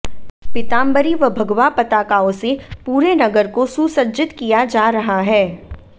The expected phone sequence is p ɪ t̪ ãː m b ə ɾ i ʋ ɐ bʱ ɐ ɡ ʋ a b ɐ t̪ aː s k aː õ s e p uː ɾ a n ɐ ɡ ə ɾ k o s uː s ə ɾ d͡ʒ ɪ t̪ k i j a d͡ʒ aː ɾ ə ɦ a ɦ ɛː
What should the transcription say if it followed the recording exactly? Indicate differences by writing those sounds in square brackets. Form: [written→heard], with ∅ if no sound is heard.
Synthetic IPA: p ɪ t̪ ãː m b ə ɾ i ʋ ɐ bʱ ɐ ɡ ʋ a [b→p] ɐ t̪ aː [s→∅] k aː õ s e p uː ɾ [a→e] n ɐ ɡ ə ɾ k o s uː s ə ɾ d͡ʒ ɪ t̪ k i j a d͡ʒ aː ɾ [ə→ɐ] ɦ a ɦ ɛː